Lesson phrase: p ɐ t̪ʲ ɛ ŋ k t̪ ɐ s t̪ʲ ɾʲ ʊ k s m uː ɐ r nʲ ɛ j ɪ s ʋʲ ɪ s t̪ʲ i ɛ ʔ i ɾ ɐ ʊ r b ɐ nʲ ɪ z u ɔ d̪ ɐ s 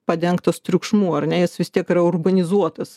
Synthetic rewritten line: p ɐ d̪ʲ ɛ ŋ k t̪ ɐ s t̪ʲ ɾʲ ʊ k ʃ m uː ɐ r nʲ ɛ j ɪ s ʋʲ ɪ s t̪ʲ i ɛ k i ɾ ɐ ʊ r b ɐ nʲ ɪ z u ɔ t̪ ɐ s